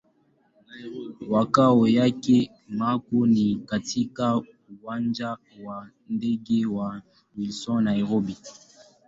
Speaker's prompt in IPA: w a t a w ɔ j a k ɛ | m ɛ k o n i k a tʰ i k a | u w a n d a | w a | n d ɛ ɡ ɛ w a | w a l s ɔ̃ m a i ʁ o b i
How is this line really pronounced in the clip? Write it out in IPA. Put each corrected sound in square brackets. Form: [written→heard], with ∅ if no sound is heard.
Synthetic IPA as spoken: w a [t→k] a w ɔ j a k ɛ | m [ɛ→a] k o n i k a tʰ i k a | u w a n [d→d͡ʒ] a | w a | n d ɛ ɡ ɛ w a | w [a→i] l s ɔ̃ [m→n] a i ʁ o b i